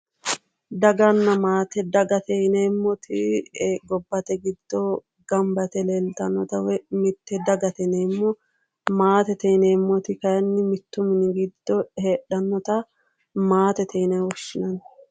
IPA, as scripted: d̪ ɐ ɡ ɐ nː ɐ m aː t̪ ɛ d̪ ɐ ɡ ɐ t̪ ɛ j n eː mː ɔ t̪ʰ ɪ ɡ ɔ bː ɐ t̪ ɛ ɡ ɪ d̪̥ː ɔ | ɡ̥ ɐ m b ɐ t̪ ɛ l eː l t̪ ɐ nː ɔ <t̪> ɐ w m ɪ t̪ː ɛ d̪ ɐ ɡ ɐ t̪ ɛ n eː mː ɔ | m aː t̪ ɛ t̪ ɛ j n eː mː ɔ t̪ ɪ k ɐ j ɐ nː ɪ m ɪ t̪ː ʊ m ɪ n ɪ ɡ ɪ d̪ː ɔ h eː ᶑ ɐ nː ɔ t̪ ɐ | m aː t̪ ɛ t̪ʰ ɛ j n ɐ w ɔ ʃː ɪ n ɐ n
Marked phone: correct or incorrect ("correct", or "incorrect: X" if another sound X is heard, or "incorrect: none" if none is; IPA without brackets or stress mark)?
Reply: correct